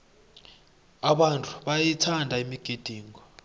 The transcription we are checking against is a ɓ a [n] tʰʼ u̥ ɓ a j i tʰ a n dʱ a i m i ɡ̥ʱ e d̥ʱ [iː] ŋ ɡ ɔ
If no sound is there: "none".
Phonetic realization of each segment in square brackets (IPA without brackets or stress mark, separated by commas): n, iː